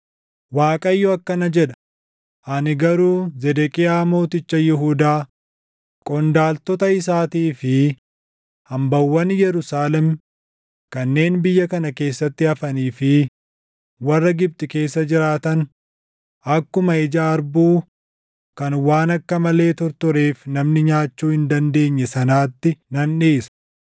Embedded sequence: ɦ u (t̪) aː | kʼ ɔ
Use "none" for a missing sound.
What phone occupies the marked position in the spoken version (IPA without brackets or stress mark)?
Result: d̪